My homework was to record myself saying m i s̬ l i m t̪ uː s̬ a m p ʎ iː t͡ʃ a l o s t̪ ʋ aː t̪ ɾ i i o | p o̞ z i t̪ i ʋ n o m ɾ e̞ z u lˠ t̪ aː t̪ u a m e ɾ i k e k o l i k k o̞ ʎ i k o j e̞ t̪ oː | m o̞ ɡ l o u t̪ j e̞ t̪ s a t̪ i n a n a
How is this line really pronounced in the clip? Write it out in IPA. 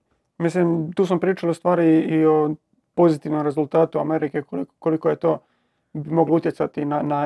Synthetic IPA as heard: m i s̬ l i m t̪ uː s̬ a m p ɾ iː t͡ʃ a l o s t̪ ʋ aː ɾ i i o | p o̞ z i t̪ i ʋ n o m ɾ e̞ z u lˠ t̪ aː t̪ u a m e ɾ i k e k o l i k k o̞ l i k o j e̞ t̪ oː | m o̞ ɡ l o u t̪ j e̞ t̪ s a t̪ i n a n a